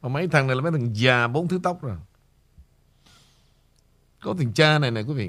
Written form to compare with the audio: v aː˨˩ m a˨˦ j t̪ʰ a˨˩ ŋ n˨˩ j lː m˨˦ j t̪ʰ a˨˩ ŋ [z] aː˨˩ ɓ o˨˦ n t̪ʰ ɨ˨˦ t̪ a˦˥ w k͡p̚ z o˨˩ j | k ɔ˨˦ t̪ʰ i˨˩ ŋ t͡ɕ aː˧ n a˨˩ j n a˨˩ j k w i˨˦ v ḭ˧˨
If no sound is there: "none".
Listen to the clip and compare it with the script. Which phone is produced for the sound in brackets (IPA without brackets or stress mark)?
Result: z